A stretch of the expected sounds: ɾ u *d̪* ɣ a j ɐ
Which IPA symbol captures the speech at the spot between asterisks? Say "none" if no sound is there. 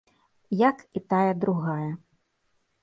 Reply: none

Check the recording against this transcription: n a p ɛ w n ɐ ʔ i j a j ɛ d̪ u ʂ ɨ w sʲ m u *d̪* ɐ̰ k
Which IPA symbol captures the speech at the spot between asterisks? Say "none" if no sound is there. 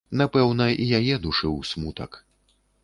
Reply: t̪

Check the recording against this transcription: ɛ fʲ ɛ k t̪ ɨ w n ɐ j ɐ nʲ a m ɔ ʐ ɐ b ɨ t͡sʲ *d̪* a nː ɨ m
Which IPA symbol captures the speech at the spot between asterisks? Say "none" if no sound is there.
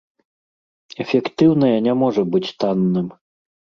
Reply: t̪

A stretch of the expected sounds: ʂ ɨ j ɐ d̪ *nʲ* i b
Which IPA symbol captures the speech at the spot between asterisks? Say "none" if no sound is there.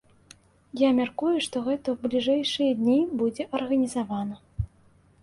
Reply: nʲ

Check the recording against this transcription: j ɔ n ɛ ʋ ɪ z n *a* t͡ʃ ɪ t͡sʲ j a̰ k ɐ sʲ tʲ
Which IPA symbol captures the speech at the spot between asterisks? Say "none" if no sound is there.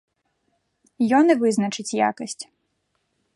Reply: ɐ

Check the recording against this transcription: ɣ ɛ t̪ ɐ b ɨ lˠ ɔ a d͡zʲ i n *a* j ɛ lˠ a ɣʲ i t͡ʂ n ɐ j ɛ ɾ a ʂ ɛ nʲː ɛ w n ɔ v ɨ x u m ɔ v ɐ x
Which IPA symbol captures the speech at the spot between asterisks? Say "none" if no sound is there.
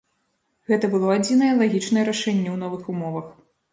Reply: ɐ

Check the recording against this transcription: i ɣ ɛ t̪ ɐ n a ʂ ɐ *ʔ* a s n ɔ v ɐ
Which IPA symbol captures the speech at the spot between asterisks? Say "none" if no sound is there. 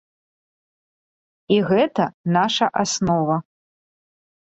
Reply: ʔ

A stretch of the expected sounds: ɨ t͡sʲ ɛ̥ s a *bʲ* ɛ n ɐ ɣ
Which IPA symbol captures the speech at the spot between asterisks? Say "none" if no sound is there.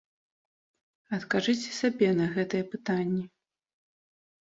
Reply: bʲ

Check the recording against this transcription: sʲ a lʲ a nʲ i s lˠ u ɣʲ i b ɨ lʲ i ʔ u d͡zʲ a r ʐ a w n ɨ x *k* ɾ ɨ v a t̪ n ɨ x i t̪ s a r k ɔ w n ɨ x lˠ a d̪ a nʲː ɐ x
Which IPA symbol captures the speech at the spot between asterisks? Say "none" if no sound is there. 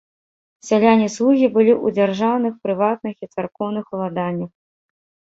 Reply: p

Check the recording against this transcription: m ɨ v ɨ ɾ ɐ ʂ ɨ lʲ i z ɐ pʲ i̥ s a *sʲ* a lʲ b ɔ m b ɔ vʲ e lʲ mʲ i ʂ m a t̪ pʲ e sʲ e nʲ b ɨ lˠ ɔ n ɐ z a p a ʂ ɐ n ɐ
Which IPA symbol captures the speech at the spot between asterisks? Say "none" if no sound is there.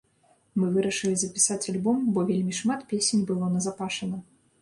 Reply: t͡sʲ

